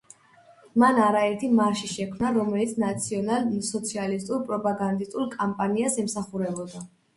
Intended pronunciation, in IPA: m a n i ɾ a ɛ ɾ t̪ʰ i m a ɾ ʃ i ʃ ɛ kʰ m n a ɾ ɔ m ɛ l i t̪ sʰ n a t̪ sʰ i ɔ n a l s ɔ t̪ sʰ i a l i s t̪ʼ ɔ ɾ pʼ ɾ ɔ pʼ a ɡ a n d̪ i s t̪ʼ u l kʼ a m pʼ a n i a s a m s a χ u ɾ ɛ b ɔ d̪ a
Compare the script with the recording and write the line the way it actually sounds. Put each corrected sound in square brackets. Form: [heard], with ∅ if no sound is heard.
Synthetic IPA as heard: m a n [a] ɾ a ɛ ɾ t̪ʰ i m a ɾ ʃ i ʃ ɛ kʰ m n a ɾ ɔ m ɛ l i t̪ sʰ n a t̪ sʰ i ɔ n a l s ɔ t̪ sʰ i a l i s t̪ʼ [u] ɾ pʼ ɾ ɔ pʼ a ɡ a n d̪ i s t̪ʼ u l kʼ a m pʼ a n i a s [ɛ] m s a χ u ɾ ɛ b ɔ d̪ a